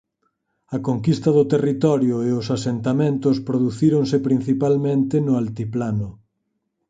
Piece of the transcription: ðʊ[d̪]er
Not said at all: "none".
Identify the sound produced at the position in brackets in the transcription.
t̪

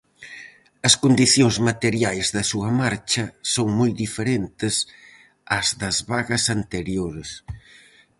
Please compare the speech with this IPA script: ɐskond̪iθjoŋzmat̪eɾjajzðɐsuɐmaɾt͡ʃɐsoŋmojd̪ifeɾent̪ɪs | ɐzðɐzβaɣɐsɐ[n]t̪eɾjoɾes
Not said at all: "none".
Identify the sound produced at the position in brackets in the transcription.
n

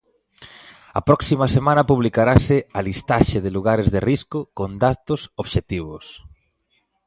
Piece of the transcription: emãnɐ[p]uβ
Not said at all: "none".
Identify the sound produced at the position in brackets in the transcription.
p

